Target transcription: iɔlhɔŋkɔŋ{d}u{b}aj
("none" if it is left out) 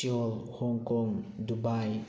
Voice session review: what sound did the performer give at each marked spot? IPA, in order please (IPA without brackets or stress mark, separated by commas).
d, b